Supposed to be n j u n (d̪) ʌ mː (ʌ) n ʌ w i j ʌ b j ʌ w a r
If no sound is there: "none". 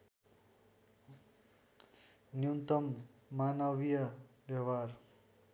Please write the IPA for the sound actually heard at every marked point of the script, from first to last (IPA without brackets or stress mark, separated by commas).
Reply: t̪, a